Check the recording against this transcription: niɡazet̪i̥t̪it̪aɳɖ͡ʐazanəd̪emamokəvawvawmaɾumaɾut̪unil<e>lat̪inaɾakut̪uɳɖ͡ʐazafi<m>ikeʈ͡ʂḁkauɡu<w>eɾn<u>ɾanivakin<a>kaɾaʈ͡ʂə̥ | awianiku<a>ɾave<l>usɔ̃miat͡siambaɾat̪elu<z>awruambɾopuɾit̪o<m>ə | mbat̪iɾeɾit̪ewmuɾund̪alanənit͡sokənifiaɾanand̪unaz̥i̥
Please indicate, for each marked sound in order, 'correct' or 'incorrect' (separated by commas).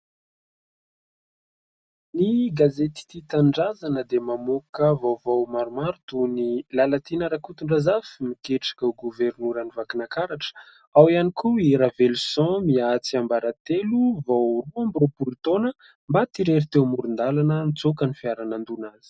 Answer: incorrect, correct, incorrect, correct, correct, incorrect, correct, incorrect, incorrect